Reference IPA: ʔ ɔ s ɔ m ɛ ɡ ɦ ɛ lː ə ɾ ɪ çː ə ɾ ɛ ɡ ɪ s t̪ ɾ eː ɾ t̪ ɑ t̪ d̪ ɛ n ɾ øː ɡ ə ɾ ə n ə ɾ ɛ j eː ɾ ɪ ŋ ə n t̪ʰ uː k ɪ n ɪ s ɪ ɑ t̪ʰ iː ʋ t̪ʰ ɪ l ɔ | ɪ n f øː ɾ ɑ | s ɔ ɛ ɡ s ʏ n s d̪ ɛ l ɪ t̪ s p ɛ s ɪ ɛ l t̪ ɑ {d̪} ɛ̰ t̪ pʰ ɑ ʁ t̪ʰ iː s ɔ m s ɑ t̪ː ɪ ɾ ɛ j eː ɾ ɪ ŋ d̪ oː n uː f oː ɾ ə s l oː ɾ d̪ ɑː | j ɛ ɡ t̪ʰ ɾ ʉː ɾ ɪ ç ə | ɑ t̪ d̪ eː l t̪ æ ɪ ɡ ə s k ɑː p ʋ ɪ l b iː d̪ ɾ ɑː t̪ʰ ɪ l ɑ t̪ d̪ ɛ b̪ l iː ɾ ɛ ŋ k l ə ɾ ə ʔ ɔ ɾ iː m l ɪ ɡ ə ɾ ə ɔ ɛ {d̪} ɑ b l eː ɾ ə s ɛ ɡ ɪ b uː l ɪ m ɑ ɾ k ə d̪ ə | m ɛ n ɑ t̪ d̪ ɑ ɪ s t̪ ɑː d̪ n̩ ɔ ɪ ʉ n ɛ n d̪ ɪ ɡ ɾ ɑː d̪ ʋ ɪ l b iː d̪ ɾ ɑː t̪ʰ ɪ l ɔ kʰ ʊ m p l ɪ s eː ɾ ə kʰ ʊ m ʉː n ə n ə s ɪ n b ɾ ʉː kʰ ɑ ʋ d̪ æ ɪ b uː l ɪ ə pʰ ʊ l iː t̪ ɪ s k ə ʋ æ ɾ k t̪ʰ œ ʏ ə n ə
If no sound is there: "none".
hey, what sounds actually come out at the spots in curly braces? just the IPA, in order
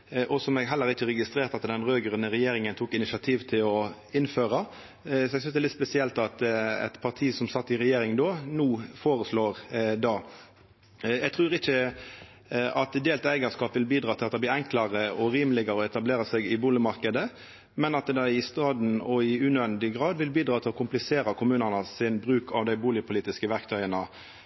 t̪, t̪

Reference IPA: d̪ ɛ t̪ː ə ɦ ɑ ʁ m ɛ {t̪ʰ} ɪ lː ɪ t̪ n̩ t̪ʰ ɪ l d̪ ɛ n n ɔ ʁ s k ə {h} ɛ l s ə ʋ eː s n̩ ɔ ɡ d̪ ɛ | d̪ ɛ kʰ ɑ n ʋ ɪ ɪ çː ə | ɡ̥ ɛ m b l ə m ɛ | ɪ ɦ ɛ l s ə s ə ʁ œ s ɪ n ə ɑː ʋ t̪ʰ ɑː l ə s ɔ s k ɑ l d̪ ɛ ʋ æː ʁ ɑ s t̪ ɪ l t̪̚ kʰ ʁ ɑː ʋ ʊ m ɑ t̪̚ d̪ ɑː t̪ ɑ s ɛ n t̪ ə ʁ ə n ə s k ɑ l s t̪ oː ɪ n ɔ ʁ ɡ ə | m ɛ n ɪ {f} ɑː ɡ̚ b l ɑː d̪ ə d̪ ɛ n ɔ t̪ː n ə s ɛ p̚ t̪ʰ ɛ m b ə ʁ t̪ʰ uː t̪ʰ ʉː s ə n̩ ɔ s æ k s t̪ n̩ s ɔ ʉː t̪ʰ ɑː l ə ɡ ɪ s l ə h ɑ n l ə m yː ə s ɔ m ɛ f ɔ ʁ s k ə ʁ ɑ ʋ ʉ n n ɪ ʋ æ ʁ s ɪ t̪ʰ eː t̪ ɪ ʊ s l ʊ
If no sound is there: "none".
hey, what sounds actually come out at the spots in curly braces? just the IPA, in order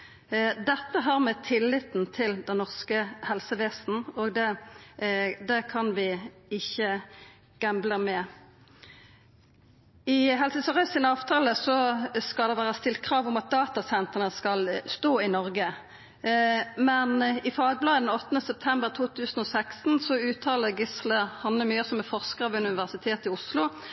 t̪ʰ, h, f

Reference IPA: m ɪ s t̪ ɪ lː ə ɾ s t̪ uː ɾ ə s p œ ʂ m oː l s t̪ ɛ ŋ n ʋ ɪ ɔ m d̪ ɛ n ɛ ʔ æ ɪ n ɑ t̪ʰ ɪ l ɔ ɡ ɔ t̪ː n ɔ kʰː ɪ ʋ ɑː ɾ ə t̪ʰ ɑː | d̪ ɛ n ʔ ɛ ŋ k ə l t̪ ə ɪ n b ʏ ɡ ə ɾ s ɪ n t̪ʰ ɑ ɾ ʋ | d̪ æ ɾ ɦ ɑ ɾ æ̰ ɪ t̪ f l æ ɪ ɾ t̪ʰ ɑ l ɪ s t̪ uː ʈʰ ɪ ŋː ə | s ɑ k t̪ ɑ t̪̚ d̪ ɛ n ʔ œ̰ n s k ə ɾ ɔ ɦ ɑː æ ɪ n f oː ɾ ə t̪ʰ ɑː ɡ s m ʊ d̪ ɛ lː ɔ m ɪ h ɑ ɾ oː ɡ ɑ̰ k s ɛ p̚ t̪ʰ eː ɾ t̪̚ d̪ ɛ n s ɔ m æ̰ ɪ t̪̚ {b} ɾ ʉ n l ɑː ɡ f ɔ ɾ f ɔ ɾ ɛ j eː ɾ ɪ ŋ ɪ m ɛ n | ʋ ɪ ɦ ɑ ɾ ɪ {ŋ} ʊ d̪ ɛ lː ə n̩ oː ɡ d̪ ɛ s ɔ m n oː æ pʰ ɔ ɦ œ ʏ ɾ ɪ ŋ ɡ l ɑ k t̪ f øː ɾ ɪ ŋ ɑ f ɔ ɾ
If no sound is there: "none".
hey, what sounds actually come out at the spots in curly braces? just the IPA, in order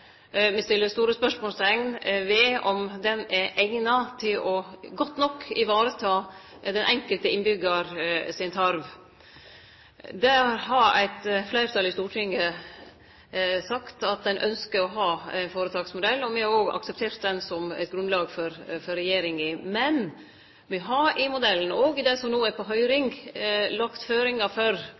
ɡ, m

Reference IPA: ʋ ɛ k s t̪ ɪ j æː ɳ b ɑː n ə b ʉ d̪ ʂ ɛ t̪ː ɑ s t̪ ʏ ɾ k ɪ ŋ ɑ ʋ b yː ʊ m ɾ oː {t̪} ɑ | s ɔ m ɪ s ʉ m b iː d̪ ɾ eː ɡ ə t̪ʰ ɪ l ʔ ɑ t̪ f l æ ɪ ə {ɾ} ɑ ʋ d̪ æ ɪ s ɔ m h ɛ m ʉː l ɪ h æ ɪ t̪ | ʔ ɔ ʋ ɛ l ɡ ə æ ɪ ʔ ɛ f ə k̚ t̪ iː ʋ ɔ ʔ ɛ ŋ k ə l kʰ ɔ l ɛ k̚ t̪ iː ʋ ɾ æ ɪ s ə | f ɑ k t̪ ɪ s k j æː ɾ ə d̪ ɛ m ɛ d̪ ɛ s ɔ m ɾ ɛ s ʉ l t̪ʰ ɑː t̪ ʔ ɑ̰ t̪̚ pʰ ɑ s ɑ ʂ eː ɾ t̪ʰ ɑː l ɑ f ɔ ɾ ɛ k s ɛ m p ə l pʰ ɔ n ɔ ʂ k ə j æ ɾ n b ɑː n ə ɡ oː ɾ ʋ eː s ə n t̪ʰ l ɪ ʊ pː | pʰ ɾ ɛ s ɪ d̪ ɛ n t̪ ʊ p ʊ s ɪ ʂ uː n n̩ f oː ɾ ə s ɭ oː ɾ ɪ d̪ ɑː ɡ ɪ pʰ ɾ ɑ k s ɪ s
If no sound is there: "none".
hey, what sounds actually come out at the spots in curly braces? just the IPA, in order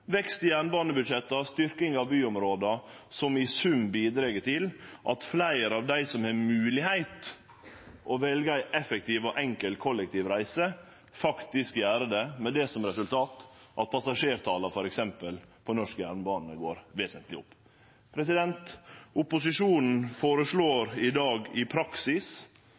d̪, ɾ

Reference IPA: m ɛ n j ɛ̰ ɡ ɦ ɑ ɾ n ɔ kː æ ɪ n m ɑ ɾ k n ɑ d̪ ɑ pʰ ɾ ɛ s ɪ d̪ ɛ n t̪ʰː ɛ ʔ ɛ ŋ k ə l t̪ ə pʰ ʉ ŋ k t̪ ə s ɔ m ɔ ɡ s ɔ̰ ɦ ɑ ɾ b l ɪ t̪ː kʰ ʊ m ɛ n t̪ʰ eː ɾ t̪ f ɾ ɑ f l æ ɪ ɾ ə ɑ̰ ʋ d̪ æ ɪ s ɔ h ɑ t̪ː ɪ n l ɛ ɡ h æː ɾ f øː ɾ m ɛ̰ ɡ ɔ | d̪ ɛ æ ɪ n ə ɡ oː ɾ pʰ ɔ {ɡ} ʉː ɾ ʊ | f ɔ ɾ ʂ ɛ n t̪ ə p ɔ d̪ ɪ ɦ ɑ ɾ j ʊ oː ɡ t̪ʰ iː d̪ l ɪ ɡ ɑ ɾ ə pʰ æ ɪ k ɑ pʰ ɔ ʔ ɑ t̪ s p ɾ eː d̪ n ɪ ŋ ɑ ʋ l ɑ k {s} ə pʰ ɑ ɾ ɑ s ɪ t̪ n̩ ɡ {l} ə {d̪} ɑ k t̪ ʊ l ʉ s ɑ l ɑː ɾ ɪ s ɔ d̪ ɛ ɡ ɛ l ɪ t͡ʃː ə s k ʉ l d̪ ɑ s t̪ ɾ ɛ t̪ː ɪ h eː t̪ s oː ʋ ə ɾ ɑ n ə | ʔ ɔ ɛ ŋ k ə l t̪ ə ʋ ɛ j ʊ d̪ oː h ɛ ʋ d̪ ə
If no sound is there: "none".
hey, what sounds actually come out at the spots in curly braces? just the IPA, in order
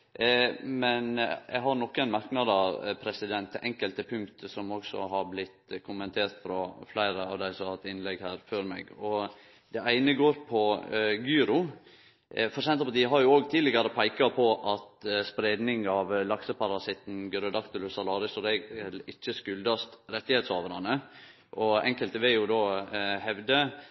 ɡ, s, ɾ, d̪

